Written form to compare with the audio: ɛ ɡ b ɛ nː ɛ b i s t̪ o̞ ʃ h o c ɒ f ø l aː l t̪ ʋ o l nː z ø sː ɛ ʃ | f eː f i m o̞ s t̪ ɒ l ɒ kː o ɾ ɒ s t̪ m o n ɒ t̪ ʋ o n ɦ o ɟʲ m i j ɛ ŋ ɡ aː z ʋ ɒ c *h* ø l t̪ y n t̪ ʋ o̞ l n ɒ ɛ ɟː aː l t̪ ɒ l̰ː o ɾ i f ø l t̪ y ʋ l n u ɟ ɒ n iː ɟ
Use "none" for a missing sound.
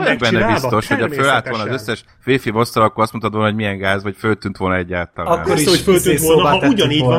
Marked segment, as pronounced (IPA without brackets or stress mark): f